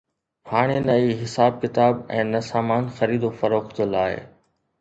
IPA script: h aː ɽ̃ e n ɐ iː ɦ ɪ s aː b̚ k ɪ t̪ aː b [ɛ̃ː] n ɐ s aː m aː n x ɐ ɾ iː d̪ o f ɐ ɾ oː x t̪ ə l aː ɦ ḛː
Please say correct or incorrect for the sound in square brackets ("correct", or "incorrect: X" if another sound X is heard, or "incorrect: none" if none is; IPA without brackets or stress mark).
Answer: correct